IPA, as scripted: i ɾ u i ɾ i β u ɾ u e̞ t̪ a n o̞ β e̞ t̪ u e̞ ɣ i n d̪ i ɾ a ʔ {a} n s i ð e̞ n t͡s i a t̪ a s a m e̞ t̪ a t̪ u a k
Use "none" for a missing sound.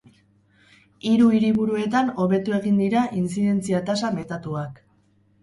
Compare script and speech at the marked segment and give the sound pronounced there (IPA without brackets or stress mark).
i